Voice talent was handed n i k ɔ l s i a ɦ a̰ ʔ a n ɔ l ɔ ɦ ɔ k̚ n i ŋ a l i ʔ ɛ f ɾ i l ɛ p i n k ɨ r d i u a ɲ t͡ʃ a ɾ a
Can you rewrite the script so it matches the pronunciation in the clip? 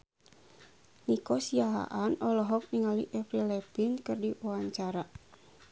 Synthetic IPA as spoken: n i k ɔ s i a ɦ a̰ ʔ a n ɔ l ɔ ɦ ɔ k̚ n i ŋ a l i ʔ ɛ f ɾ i l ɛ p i n k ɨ r d i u a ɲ t͡ʃ a ɾ a